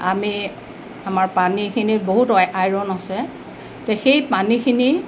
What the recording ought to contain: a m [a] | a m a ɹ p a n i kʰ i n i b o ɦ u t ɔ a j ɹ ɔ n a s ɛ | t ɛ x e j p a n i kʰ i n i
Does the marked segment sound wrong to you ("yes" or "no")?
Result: yes